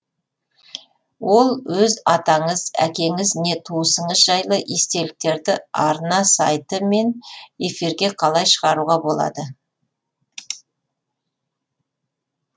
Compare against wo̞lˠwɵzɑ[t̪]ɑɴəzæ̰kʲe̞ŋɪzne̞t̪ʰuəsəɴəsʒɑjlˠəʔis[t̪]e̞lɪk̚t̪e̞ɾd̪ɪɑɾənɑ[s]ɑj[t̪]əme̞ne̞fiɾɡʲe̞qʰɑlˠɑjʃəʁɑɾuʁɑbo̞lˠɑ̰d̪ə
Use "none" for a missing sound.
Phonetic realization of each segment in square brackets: t̪, t̪, s, t̪

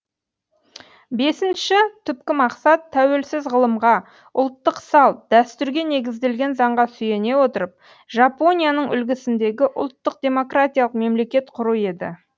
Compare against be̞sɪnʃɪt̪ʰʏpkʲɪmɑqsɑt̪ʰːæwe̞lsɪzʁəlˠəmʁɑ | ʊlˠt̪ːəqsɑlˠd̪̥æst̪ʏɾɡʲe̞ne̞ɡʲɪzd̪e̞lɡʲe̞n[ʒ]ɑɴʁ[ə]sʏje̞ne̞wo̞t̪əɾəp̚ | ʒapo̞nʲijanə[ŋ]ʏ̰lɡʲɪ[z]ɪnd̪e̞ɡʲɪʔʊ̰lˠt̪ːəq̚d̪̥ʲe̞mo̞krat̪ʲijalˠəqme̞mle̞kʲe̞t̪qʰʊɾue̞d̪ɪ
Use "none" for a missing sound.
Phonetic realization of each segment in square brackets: z, ɑ, ɴ, s

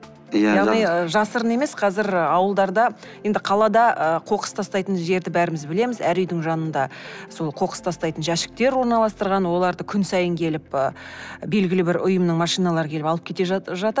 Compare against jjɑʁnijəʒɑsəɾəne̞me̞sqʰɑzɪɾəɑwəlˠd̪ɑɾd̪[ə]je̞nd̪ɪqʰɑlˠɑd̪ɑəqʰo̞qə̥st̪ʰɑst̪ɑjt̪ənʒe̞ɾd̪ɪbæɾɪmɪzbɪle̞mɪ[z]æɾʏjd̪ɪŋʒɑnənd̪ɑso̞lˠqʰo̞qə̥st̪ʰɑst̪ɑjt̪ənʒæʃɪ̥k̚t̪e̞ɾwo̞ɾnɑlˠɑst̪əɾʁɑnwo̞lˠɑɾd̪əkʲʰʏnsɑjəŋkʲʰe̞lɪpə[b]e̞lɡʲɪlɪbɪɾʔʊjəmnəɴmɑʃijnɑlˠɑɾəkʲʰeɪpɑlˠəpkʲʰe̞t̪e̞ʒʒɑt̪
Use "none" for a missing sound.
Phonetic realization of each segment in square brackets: ɑ, z, b

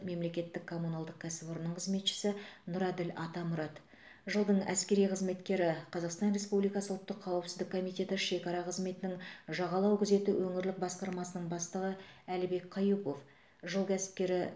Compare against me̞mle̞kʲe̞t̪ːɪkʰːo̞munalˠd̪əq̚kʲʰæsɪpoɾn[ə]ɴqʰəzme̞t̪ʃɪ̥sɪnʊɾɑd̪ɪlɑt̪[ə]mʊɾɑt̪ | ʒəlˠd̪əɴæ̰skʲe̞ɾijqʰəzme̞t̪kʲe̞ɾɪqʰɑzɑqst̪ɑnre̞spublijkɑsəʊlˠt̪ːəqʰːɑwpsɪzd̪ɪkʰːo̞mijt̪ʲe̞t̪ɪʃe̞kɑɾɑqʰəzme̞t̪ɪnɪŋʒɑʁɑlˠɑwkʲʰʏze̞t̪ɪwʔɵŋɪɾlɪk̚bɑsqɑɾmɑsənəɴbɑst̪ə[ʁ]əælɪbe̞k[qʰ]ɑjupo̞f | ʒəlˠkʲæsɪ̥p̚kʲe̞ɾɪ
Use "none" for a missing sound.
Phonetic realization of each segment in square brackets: ə, ɑ, ʁ, qʰ

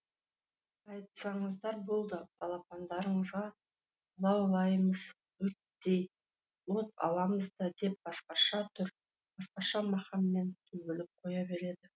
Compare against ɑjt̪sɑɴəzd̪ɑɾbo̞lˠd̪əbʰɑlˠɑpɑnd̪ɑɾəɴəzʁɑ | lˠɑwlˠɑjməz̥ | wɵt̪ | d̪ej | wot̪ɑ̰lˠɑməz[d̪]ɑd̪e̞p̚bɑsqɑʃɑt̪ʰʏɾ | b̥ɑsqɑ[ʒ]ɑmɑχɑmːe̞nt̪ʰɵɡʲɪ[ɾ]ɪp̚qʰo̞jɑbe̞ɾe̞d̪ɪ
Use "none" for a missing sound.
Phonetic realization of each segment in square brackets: d̪, ʃ, l

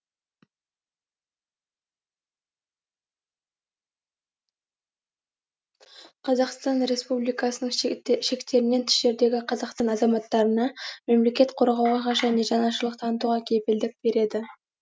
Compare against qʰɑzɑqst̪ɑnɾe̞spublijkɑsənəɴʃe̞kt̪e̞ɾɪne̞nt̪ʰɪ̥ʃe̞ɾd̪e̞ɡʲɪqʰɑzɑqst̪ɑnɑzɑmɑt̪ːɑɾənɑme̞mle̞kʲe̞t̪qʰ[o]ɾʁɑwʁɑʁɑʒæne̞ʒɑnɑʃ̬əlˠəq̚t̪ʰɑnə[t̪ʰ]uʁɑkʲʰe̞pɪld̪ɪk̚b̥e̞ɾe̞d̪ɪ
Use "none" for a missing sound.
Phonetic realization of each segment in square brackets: o, t̪

